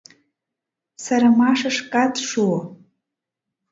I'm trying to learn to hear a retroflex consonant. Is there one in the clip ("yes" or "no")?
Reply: yes